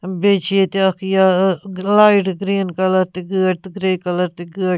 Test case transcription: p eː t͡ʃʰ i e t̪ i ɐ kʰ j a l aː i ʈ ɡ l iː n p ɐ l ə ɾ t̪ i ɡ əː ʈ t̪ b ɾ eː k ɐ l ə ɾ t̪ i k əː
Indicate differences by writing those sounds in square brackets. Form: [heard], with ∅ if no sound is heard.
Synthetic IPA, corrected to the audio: [b] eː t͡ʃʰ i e t̪ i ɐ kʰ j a l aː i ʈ ɡ [ɾ] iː n [k] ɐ l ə ɾ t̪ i ɡ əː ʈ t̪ [ɡ] ɾ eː k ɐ l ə ɾ t̪ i [ɡ] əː